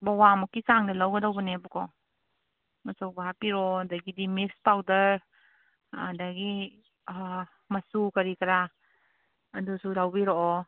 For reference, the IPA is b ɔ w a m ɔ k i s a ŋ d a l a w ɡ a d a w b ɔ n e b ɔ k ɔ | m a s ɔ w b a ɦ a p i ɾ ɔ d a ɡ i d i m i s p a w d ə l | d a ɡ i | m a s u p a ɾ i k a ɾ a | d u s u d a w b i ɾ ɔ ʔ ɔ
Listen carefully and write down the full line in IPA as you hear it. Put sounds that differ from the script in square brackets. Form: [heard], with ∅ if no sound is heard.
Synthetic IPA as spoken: b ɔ w a m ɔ k i s a ŋ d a l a w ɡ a d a w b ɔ n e b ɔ k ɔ | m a s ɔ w b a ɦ a p i ɾ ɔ d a ɡ i d i m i s p a w d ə [ɾ] | d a ɡ i | m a s u [k] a ɾ i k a ɾ a | d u s u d a w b i ɾ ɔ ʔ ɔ

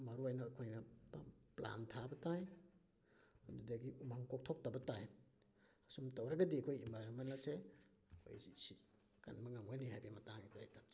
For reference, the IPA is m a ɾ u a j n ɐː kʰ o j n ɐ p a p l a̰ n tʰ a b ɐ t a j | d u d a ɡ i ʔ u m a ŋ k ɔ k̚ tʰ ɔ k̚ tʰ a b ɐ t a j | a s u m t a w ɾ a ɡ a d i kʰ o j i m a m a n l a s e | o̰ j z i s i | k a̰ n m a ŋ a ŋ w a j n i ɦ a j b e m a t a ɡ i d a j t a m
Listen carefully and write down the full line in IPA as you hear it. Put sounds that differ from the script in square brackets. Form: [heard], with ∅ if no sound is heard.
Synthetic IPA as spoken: m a ɾ u a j n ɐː kʰ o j n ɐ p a p l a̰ n tʰ a b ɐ t a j | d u d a ɡ i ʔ u m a ŋ k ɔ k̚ tʰ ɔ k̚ [t] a b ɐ t a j | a s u m t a w ɾ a ɡ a d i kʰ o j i m a m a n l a s e | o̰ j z i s i | k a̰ n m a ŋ a ŋ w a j n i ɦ a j b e m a t a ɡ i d a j t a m

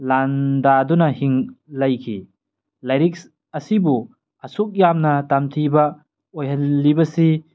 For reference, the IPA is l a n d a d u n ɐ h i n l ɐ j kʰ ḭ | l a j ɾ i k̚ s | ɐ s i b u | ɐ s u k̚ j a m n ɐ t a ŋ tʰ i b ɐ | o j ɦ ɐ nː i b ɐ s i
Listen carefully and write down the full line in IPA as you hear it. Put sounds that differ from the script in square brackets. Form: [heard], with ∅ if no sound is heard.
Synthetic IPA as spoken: l a n d a d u n ɐ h i [ŋ] l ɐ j kʰ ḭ | l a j ɾ i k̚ s | ɐ s i b u | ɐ s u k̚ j a m n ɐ t a [m] tʰ i b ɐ | o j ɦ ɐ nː i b ɐ s i

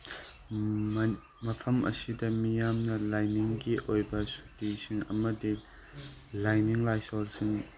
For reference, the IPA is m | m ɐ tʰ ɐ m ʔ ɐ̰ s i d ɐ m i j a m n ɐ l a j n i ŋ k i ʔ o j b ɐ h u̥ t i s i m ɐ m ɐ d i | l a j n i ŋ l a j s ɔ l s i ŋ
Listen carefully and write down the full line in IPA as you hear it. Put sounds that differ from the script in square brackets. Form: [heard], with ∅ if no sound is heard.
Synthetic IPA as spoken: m | m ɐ [pʰ] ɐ m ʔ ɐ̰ s i d ɐ m i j a m n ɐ l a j n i ŋ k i ʔ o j b ɐ [s] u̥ t i s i [ŋ] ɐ m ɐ d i | l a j n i ŋ l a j s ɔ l s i ŋ

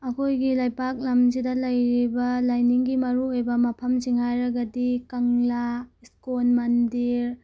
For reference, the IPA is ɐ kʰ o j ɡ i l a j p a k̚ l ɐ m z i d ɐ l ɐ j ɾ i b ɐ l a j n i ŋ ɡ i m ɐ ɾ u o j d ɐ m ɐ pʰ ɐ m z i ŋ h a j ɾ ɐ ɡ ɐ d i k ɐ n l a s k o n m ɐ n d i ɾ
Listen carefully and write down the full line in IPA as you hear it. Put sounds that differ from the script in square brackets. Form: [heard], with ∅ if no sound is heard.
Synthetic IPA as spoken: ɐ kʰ o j ɡ i l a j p a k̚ l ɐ m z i d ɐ l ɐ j ɾ i b ɐ l a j n i ŋ ɡ i m ɐ ɾ u o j [b] ɐ m ɐ pʰ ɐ m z i ŋ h a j ɾ ɐ ɡ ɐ d i k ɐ [ŋ] l a s k o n m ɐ n d i ɾ

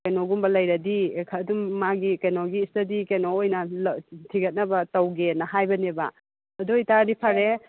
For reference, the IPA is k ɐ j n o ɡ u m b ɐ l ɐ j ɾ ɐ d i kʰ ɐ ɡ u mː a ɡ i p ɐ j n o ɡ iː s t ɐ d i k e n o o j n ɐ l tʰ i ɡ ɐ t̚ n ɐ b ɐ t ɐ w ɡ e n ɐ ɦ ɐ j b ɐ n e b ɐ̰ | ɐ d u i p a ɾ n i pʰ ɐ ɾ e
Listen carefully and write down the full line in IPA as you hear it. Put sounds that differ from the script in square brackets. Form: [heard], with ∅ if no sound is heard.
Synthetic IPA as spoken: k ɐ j n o ɡ u m b ɐ l ɐ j ɾ ɐ d i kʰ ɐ [d] u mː a ɡ i [k] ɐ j n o ɡ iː s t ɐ d i k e n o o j n ɐ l tʰ i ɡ ɐ t̚ n ɐ b ɐ t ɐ w ɡ e n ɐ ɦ [a] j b ɐ n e b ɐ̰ | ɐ d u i [t] a ɾ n i pʰ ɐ ɾ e

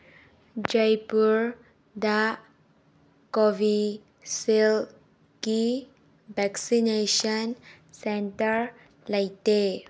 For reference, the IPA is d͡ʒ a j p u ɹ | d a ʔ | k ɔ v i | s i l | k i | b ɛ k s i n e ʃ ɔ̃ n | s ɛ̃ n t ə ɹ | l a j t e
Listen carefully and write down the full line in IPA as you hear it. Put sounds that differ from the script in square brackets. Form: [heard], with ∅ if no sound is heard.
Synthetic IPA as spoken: d͡ʒ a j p u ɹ | d a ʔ | k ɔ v i | s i l | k i | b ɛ k s i n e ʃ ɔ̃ n | s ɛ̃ n t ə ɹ | l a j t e

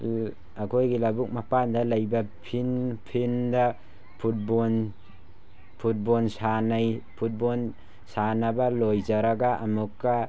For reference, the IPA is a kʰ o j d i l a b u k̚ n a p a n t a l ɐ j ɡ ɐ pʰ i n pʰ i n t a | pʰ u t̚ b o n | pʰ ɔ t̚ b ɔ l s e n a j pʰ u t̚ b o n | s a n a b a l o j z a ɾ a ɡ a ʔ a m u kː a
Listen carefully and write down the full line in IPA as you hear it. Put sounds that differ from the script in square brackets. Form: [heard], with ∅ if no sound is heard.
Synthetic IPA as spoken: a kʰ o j [ɡ] i l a b u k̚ [m] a p a n [d] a l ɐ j [b] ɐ pʰ i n pʰ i n [d] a | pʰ u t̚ b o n | pʰ [u] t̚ b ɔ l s [a] n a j pʰ u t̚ b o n | s a n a b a l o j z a ɾ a ɡ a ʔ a m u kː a

